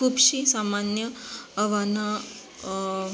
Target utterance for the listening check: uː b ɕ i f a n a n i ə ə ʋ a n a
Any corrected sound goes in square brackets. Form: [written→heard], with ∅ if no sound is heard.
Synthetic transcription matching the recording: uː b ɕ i [f→s] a [n→m] a n [i→j] ə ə ʋ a n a